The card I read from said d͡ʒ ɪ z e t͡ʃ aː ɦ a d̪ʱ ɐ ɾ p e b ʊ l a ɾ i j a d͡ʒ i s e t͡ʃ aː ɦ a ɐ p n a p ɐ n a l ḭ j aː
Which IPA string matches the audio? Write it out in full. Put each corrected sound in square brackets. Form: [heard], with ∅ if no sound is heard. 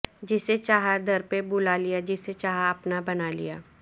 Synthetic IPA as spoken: d͡ʒ ɪ [s] e t͡ʃ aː ɦ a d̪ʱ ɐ ɾ p e b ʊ l a [l] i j a d͡ʒ [ɪ] s e t͡ʃ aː ɦ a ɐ p n a [b] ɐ n a l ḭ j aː